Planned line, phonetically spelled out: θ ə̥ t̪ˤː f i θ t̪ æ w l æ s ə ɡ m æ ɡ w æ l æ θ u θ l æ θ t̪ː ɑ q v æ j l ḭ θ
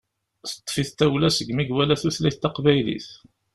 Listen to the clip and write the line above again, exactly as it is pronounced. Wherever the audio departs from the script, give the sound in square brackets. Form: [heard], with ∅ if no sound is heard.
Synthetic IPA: θ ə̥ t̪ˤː f i θ t̪ æ w l æ s ə ɡ m [i] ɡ w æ l æ θ u θ l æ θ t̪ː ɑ q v æ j l ḭ θ